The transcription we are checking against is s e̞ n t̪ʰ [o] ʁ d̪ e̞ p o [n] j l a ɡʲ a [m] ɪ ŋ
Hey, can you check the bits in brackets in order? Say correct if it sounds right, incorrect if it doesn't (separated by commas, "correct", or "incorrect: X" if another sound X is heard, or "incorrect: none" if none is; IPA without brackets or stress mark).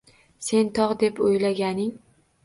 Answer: incorrect: ɒ, incorrect: none, incorrect: n